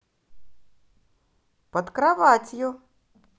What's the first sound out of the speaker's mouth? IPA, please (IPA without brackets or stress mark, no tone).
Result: p